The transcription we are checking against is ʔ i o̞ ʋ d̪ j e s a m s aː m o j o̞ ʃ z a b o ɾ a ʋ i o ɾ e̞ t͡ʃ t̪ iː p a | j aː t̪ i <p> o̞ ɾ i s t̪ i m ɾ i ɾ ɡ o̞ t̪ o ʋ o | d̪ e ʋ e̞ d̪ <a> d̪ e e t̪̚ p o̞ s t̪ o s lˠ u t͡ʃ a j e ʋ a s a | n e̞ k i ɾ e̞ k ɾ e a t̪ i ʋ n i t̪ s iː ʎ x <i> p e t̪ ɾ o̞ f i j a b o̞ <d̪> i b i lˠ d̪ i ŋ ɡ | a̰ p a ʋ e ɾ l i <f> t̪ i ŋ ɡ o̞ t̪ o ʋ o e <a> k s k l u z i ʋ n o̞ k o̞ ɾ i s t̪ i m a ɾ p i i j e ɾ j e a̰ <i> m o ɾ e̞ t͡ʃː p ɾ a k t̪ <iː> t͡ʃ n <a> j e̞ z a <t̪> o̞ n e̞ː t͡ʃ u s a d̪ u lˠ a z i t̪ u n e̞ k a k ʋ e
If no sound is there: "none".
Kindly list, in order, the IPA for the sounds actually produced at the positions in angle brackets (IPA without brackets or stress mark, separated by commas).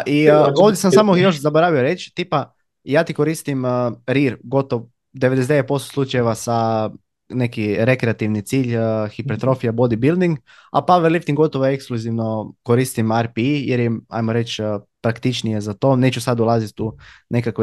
k, e, i, d̪, f, e, j, i, i, t̪